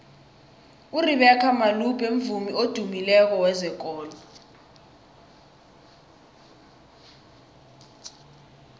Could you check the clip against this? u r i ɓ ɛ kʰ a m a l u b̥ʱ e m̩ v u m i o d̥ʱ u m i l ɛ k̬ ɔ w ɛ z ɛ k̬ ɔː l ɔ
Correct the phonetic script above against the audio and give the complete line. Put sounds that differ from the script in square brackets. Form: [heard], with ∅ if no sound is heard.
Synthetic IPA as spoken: u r i ɓ ɛ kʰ a m a l u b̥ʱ e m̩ v u m i o d̥ʱ u m i l ɛ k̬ ɔ w ɛ z ɛ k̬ ɔː l ɔ